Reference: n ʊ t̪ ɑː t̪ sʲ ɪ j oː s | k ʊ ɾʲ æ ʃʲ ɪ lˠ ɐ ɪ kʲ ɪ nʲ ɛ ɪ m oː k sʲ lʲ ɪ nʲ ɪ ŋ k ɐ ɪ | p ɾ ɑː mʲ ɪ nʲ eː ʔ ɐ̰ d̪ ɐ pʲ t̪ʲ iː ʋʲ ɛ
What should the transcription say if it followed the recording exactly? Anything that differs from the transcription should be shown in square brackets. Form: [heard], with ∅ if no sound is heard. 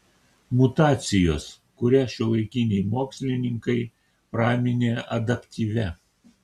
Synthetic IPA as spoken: [m] ʊ t̪ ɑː t̪ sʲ ɪ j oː s | k ʊ ɾʲ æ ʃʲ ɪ lˠ ɐ ɪ kʲ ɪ nʲ ɛ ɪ m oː k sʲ lʲ ɪ nʲ ɪ ŋ k ɐ ɪ | p ɾ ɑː mʲ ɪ nʲ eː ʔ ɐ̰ d̪ ɐ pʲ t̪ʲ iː ʋʲ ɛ